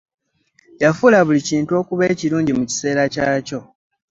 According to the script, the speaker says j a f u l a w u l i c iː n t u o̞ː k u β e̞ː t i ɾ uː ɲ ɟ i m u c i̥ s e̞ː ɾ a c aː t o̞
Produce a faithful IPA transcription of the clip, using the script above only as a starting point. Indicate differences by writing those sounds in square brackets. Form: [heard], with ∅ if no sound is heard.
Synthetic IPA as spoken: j a f u l a [β] u l i c iː n t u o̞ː k u β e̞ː [c] i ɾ uː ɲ ɟ i m u c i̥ s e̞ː ɾ a c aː [c] o̞